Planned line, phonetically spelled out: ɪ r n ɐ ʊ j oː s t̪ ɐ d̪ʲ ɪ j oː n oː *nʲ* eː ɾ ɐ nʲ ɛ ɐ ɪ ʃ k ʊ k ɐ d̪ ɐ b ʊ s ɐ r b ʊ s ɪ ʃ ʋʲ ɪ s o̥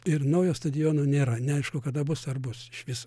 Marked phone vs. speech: correct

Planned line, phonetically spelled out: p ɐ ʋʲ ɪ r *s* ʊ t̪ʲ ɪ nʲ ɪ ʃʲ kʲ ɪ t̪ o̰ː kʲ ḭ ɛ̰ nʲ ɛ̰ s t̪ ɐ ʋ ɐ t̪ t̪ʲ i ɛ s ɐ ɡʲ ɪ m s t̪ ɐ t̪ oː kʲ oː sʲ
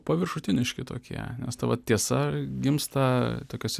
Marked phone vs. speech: incorrect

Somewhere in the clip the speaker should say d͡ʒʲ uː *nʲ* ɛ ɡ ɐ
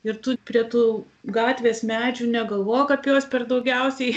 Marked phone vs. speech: correct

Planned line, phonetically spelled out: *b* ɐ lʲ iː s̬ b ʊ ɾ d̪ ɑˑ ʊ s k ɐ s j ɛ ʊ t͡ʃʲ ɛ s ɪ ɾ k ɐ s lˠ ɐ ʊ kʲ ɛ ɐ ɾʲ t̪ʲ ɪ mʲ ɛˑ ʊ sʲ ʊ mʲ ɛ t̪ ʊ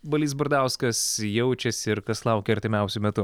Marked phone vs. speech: correct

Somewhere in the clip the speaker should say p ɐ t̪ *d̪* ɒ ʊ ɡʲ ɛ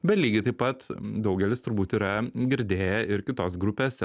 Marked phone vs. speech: correct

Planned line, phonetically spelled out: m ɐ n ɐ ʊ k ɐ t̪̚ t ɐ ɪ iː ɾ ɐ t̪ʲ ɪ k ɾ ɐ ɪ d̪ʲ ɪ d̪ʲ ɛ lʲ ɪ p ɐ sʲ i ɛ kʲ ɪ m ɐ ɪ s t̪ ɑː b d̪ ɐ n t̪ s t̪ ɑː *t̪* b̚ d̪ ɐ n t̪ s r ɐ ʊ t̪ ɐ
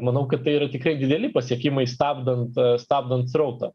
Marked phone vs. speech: incorrect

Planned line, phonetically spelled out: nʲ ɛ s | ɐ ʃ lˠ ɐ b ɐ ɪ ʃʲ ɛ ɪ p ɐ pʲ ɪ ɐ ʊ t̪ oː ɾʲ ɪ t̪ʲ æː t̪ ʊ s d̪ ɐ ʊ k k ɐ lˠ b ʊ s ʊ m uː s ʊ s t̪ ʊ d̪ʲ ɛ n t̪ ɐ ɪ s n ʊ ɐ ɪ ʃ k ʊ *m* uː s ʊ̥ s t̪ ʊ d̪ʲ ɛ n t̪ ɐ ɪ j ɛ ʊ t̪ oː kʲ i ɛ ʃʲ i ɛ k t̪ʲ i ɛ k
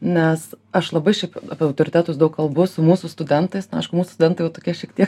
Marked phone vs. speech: correct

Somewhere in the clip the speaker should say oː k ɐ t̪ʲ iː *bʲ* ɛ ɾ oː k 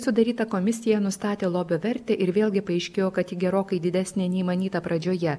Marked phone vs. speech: incorrect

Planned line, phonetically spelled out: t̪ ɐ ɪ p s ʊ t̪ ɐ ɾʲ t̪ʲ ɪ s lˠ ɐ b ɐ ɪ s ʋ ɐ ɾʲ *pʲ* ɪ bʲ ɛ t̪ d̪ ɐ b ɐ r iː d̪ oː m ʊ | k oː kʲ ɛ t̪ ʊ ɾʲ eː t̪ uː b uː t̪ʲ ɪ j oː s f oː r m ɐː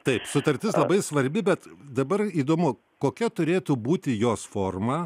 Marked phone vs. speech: incorrect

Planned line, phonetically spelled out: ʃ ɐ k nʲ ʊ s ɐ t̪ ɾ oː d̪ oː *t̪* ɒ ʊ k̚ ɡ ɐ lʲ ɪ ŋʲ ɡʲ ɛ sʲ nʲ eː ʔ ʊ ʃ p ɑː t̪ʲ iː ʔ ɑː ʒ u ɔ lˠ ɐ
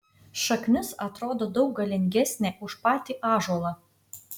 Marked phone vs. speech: incorrect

